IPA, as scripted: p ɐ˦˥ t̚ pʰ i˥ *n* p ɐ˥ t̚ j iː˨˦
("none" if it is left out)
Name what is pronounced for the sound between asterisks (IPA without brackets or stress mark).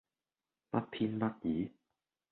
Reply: n